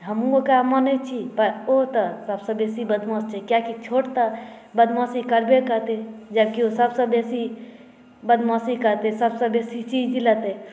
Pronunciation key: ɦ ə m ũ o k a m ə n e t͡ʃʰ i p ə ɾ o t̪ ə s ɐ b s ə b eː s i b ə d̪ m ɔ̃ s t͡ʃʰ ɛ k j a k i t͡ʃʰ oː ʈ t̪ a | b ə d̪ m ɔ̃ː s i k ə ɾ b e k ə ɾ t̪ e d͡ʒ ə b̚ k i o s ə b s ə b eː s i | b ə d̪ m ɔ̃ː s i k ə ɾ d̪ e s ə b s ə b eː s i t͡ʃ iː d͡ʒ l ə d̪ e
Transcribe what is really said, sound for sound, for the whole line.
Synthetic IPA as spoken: ɦ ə m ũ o k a m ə n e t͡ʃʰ i p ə ɾ o t̪ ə s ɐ b s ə b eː s i b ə d̪ m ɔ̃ s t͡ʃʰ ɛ k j a k i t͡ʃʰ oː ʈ t̪ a | b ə d̪ m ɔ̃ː s i k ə ɾ b e k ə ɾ t̪ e d͡ʒ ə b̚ k i o s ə b s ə b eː s i | b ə d̪ m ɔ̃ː s i k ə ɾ t̪ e s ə b s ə b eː s i t͡ʃ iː d͡ʒ l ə t̪ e